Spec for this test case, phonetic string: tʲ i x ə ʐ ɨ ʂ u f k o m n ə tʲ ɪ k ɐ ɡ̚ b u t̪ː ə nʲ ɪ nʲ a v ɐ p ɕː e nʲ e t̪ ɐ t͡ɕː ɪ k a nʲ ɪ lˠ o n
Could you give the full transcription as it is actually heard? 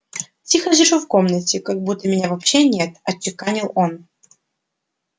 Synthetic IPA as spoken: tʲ i x ə ʐ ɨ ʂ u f k o m n ə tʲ ɪ k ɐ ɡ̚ b u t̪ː ə mʲ ɪ nʲ a v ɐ p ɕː e nʲ e t̪ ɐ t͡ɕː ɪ k a nʲ ɪ lˠ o n